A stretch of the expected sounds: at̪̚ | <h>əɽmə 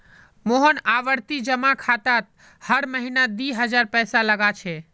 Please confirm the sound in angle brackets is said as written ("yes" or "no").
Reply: yes